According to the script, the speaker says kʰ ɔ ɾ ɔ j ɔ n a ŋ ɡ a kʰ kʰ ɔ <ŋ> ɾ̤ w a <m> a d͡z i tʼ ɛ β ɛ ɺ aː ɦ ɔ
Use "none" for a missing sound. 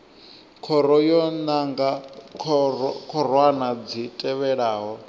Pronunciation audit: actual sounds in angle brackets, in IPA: none, n

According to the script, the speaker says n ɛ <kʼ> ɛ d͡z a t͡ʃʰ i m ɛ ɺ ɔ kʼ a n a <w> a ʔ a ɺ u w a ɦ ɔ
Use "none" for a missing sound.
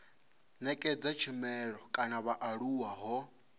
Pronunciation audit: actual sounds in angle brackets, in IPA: kʼ, β

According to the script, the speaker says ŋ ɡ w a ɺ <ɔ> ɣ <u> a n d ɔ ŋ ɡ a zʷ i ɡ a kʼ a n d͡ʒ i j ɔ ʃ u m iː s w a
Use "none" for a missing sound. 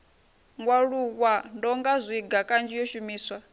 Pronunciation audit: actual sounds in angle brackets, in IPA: u, w

